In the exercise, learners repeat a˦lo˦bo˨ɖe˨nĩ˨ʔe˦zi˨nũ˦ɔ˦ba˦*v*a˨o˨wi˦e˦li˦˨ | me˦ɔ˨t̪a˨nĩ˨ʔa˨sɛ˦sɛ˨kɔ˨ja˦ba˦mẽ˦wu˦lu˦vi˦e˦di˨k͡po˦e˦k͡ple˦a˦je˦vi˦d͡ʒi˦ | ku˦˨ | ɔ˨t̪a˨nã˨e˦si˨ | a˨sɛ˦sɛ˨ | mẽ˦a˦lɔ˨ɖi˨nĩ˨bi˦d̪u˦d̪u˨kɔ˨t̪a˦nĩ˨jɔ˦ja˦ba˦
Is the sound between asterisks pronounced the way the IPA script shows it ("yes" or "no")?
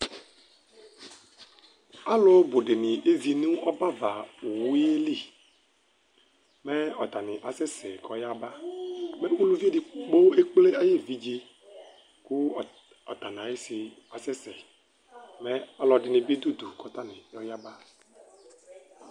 yes